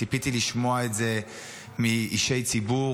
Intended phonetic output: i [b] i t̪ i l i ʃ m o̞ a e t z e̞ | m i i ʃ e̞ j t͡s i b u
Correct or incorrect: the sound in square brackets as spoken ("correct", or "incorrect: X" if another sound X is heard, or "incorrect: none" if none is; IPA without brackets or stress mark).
incorrect: p